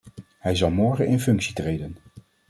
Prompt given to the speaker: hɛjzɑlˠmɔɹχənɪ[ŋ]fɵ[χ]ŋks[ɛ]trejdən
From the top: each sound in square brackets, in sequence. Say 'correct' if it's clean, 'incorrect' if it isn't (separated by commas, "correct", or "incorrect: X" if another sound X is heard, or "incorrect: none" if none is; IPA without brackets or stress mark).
incorrect: n, incorrect: none, incorrect: i